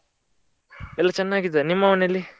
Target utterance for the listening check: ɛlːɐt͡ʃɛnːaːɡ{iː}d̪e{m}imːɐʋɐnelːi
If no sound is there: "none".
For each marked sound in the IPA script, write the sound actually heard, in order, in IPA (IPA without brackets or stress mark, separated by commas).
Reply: i, n